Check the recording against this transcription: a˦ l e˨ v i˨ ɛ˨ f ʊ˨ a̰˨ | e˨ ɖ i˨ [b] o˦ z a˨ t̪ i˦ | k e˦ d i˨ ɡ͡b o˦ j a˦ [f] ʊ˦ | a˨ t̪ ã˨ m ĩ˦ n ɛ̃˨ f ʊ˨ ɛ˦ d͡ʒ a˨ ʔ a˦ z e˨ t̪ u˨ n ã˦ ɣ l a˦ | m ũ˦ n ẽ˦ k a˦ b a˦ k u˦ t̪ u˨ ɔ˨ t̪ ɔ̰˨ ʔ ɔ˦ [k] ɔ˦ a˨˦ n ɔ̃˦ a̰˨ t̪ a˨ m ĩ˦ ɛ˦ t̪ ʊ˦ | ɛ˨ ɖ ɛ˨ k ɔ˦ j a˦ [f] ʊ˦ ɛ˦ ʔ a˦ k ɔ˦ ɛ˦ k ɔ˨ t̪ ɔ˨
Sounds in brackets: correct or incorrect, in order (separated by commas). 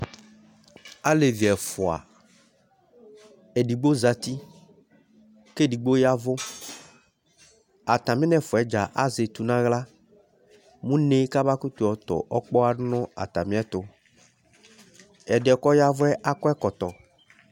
incorrect, incorrect, incorrect, incorrect